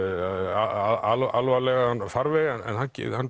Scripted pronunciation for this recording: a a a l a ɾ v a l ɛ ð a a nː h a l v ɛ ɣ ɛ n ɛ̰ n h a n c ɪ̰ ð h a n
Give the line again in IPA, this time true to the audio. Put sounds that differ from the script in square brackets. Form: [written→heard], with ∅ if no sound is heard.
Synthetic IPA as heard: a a a l a [ɾ→l] v a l ɛ [ð→ɣ] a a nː [h→f] a [l→ɾ] v ɛ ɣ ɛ n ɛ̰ n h a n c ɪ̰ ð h a n

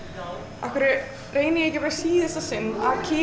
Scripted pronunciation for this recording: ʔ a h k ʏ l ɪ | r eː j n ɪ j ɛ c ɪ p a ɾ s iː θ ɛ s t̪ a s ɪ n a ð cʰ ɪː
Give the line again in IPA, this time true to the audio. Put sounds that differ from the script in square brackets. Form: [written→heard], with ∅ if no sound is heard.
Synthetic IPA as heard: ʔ a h k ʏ [l→ɾ] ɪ | r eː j n ɪ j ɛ c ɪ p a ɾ s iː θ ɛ s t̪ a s ɪ n a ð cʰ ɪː

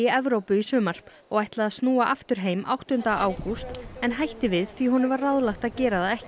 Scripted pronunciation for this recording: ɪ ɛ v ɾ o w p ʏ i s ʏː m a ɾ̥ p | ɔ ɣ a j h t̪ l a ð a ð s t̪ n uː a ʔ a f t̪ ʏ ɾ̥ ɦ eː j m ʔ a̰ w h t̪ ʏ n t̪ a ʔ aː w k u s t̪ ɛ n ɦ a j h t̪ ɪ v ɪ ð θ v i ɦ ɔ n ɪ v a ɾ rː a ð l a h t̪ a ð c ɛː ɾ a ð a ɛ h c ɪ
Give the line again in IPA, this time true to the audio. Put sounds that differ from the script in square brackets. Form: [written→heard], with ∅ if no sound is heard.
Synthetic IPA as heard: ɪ ɛ v ɾ o w p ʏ i s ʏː m a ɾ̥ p | ɔ ɣ a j h t̪ l a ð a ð s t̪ n uː a ʔ a f t̪ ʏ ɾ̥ ɦ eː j m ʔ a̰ w h t̪ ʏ n t̪ a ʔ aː w k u s t̪ ɛ n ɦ a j h t̪ ɪ v ɪ ð θ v i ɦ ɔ n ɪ v a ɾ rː a ð l a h t̪ a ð c ɛː ɾ a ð a ɛ h c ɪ

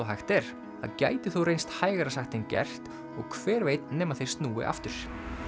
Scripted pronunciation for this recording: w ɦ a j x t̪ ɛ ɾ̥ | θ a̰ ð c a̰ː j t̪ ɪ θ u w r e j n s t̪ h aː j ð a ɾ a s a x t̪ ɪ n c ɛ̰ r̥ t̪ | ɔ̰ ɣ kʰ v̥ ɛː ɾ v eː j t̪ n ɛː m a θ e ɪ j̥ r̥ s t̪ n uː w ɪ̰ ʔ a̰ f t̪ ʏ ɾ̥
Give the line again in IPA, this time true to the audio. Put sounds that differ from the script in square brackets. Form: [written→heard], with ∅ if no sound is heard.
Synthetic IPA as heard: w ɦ a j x t̪ ɛ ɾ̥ | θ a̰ ð c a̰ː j t̪ ɪ θ u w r e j n s t̪ h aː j [ð→ɣ] a ɾ a s a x t̪ ɪ n c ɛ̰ r̥ t̪ | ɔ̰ ɣ kʰ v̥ ɛː ɾ v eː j t̪ n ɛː m a θ e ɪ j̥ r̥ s t̪ n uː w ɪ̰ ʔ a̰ f t̪ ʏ ɾ̥

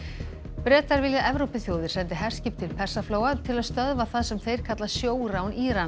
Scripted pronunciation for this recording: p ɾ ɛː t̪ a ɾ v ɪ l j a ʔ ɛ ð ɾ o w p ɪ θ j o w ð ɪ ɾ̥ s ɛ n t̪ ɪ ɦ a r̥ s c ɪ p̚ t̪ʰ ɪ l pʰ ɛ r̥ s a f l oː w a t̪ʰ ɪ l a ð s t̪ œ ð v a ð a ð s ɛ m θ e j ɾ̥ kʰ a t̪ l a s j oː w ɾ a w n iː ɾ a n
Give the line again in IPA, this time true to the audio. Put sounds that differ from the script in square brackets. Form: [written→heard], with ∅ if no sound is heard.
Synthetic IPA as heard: p ɾ ɛː t̪ a ɾ v ɪ l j a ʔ ɛ [ð→v] ɾ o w p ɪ θ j o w ð ɪ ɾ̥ s ɛ n t̪ ɪ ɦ [a→ɛ] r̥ s c ɪ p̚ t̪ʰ ɪ l pʰ ɛ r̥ s a f l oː w a t̪ʰ ɪ l a ð s t̪ œ ð v a [ð→θ] a ð s ɛ m θ e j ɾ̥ kʰ a t̪ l a s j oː w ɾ a w n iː ɾ a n

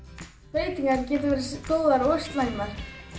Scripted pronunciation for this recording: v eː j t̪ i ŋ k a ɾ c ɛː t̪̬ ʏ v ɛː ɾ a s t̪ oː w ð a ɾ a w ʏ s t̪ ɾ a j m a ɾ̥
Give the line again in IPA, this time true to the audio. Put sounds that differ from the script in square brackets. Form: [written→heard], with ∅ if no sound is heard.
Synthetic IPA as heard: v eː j t̪ i ŋ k a ɾ c ɛː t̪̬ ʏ v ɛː ɾ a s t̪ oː w ð a ɾ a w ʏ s t̪ [ɾ→l] a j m a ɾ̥

